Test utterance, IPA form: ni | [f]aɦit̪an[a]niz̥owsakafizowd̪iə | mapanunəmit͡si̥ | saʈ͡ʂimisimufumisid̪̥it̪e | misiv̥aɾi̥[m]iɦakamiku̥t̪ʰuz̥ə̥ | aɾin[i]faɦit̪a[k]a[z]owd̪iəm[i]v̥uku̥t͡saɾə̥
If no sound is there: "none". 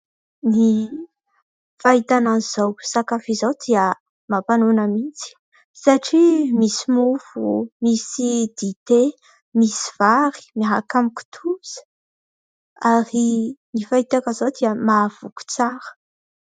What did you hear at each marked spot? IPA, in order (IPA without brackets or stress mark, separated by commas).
f, a, m, i, k, z, a